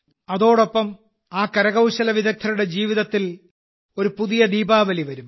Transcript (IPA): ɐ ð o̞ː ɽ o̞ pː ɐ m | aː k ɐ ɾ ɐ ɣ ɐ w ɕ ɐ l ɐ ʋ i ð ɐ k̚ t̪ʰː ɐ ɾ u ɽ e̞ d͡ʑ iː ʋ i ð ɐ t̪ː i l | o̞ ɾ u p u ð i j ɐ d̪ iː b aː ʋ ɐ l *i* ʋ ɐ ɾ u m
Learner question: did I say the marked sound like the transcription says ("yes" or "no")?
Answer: yes